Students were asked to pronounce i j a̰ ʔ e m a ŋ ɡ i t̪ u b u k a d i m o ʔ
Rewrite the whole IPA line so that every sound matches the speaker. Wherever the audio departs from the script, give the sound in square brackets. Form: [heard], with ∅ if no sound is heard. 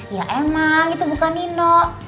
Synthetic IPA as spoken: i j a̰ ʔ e m a ŋ ɡ i t̪ u b u k a [n] i [n] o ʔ